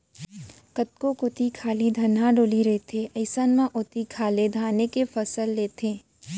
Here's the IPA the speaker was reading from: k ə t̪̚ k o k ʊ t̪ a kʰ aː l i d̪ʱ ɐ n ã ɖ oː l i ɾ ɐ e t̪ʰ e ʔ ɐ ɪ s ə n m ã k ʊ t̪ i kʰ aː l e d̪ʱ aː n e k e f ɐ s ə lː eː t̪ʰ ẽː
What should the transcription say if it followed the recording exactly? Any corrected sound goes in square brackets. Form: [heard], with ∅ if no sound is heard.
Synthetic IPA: k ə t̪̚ k o k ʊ t̪ [i] kʰ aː l i d̪ʱ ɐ n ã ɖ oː l i ɾ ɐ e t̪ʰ e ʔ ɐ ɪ s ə n m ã [ʔ] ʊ t̪ i kʰ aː l e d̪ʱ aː n e k e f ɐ s ə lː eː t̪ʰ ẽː